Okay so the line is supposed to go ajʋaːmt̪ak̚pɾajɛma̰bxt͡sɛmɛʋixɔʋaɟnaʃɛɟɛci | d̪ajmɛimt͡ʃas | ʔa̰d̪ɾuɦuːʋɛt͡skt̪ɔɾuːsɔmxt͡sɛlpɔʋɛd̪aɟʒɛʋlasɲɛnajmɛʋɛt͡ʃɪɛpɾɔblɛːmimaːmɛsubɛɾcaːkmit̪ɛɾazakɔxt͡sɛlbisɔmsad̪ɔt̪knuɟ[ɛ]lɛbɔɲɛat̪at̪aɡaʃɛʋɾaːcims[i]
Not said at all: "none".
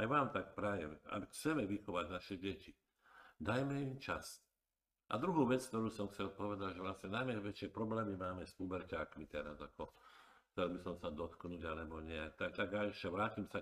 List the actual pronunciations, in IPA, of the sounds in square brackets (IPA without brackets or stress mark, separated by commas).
a, a